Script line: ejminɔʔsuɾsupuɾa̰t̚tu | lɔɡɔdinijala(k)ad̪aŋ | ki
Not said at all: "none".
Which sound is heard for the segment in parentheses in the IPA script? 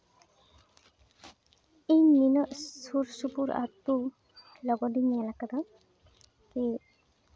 k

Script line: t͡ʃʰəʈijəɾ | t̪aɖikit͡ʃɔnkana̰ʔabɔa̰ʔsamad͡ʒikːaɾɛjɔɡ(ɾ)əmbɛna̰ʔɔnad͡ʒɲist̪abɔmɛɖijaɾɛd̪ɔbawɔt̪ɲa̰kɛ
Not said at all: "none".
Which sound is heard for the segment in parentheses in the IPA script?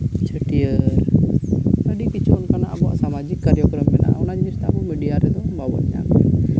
ɾ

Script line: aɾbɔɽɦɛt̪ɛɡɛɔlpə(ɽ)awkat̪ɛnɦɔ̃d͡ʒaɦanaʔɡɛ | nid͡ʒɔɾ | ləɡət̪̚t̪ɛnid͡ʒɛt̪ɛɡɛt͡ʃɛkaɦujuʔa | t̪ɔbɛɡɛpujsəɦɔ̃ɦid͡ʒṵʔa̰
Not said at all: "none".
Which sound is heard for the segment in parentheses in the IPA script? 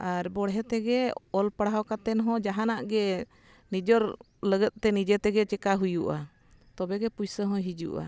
ɽ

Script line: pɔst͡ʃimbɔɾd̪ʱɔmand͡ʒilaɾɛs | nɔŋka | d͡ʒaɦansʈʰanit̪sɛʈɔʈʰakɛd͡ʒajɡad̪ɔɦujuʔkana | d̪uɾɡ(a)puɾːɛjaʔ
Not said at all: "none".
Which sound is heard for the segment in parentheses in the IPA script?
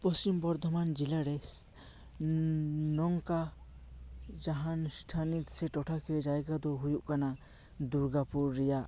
a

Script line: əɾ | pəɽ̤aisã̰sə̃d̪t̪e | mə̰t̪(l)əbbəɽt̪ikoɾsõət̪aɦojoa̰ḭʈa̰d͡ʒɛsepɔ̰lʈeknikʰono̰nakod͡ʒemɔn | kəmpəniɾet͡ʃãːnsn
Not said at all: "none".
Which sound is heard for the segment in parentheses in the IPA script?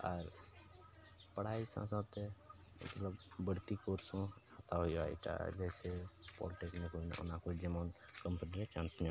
l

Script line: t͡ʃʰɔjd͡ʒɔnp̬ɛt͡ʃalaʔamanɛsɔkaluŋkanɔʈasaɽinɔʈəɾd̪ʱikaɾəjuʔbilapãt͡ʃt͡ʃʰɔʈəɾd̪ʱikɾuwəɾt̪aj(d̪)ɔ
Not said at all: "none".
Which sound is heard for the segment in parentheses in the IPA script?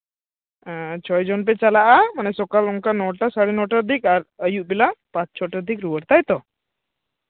t̪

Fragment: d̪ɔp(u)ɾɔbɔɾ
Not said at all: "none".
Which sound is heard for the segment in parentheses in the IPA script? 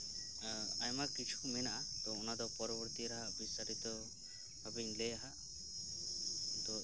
ɔ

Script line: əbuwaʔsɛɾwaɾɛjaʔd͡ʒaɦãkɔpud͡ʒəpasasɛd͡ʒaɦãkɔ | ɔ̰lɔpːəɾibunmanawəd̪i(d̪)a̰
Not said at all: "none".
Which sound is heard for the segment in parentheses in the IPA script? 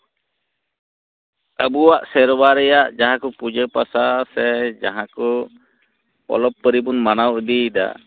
d̪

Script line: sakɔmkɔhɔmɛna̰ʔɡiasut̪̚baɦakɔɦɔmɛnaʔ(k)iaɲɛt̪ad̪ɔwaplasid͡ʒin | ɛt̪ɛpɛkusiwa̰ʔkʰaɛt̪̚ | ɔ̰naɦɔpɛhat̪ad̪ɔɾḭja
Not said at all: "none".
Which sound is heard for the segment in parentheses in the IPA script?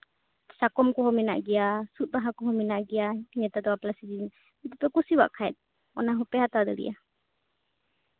ɡ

